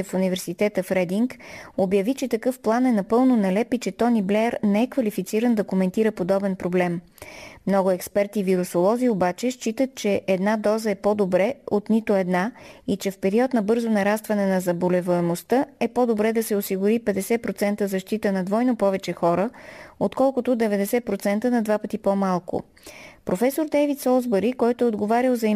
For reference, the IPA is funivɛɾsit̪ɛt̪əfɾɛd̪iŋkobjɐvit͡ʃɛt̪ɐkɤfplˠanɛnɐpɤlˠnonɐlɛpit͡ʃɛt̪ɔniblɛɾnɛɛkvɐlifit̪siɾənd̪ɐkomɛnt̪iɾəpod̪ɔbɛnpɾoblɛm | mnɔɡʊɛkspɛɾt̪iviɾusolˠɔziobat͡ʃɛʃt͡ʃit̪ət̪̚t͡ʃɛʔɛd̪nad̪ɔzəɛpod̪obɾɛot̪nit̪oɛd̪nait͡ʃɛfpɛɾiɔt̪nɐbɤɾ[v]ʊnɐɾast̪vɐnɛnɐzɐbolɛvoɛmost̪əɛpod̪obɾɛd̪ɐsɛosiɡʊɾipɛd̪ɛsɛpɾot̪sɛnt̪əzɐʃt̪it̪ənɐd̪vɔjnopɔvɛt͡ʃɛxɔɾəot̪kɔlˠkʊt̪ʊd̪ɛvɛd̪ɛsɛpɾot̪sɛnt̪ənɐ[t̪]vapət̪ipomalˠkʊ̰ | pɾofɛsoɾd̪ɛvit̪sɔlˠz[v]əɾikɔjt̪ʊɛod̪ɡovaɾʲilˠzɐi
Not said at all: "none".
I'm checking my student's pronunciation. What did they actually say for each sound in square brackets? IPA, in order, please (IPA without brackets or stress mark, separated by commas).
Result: z, d̪, b